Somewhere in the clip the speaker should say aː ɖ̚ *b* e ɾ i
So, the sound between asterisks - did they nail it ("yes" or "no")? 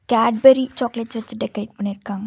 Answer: yes